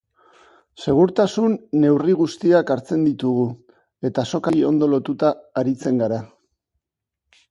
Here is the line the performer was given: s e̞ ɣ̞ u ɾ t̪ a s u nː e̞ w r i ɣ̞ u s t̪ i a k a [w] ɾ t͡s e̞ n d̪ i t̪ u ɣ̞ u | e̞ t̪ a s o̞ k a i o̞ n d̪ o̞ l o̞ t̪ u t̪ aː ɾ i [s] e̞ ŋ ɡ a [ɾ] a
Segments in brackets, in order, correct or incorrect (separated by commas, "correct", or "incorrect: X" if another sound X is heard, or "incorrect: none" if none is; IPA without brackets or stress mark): incorrect: none, incorrect: t͡s, correct